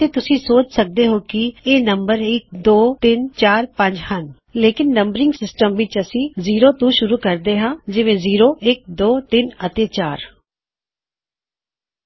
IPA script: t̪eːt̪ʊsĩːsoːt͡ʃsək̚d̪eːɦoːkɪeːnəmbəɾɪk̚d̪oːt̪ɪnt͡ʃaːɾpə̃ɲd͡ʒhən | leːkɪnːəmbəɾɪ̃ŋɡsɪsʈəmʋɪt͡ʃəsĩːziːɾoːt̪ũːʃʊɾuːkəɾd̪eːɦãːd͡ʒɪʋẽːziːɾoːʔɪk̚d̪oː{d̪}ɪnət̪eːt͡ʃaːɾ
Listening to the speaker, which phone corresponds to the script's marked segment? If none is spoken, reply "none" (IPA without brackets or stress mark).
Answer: t̪